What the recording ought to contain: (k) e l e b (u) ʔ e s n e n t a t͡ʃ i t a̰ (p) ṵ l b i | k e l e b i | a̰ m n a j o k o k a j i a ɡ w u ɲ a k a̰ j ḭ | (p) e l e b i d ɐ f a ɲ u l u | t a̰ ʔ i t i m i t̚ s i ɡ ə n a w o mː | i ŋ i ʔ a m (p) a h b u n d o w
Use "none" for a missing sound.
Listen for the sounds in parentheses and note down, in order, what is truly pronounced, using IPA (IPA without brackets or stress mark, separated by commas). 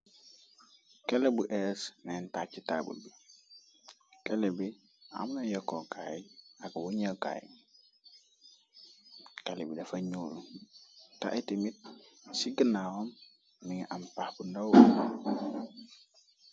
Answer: k, u, b, k, p